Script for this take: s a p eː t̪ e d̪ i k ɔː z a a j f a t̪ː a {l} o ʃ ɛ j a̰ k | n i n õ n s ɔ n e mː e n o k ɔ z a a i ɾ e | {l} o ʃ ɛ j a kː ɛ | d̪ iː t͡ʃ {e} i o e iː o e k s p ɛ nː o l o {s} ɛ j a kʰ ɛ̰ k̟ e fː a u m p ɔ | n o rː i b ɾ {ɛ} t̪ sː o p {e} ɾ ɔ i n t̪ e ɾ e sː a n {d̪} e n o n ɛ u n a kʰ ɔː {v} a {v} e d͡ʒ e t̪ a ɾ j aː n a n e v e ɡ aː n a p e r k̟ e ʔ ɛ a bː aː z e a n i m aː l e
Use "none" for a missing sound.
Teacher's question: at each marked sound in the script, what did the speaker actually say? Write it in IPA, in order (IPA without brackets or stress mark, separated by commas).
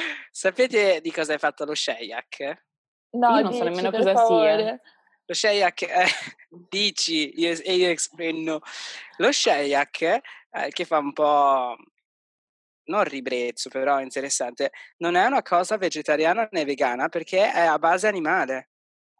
l, l, i, ʃ, e, e, t̪, z, v